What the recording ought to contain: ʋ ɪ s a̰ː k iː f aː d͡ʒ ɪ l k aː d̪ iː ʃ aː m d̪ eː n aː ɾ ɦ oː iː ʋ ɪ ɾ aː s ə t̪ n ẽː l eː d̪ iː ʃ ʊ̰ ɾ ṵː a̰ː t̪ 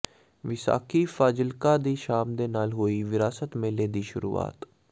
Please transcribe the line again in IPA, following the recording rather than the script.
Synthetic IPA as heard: ʋ ɪ s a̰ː k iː f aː d͡ʒ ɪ l k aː d̪ iː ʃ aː m d̪ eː n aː l ɦ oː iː ʋ ɪ ɾ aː s ə t̪ m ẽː l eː d̪ iː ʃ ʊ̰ ɾ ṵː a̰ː t̪